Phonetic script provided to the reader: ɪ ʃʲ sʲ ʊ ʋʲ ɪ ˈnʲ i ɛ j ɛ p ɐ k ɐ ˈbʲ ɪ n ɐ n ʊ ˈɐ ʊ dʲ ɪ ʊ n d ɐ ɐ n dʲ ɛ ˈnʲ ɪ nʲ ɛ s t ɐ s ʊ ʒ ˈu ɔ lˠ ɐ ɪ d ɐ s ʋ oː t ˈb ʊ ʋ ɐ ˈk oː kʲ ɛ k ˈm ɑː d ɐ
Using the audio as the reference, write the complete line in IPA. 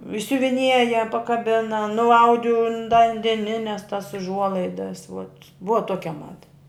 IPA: ɪ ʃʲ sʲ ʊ ʋʲ ɪ ˈnʲ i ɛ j ɛ p ɐ k ɐ ˈbʲ ɪ n ɐ n ʊ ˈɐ ʊ dʲ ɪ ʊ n d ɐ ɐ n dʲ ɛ ˈnʲ ɪ nʲ ɛ s t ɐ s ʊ ʒ ˈu ɔ lˠ ɐ ɪ d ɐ s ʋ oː t ˈb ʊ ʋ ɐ ˈt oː kʲ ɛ ˈm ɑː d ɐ